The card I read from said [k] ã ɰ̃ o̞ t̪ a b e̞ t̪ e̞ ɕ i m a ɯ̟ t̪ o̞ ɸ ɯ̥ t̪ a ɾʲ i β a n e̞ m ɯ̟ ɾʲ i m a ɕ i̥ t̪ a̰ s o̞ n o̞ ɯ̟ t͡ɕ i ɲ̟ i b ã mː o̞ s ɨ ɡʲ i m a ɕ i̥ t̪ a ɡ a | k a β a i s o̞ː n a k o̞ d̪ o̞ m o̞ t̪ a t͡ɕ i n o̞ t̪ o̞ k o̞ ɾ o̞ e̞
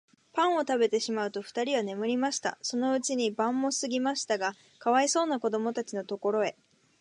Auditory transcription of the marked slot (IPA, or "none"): p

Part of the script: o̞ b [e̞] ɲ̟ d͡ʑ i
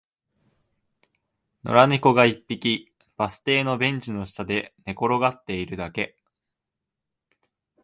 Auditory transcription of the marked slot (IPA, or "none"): ẽ̞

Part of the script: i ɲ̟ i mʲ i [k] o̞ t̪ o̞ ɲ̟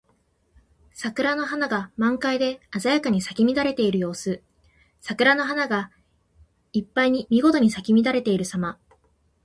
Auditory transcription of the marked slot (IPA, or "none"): ɡ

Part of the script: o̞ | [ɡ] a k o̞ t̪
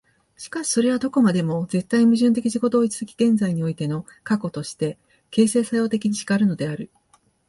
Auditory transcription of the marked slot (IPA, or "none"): k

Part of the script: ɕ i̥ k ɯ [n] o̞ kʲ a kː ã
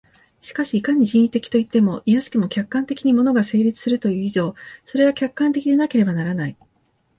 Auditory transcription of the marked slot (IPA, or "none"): m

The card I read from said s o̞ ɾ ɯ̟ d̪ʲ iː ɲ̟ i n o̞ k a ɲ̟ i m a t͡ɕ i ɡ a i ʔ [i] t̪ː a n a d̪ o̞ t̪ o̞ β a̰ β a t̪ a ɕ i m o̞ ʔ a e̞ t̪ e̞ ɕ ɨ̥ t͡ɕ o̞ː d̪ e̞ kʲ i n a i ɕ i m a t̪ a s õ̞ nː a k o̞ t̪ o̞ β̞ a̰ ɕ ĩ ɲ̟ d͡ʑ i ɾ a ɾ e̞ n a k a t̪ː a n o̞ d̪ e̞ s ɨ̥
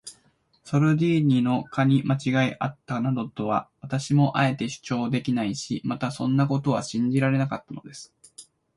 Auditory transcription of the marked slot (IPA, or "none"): a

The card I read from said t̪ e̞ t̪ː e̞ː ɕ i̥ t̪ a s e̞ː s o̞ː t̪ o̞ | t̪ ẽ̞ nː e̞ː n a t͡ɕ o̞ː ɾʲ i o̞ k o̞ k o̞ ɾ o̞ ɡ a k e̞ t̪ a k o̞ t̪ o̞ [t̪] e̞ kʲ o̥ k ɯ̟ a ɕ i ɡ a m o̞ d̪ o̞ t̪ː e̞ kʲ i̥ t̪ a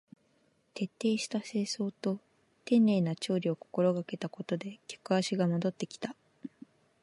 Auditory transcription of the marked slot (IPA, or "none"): d̪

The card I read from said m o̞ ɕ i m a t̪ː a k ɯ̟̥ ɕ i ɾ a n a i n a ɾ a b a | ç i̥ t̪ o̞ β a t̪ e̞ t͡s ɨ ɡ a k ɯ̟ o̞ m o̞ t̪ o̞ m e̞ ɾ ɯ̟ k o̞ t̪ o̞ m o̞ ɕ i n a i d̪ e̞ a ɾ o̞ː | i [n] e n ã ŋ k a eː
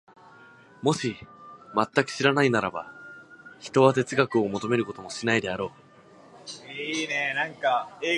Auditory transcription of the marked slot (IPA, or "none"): n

